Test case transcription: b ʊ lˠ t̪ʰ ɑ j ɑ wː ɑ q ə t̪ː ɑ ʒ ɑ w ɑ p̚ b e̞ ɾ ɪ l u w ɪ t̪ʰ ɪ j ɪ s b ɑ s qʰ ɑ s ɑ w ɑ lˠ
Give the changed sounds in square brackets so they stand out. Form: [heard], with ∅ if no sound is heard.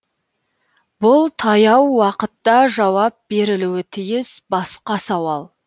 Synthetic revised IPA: b ʊ lˠ t̪ʰ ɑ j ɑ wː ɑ q ə t̪ː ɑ ʒ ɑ w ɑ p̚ b e̞ ɾ ɪ l u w ɪ t̪ʰ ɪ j ɪ s b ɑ s [q] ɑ s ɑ w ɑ lˠ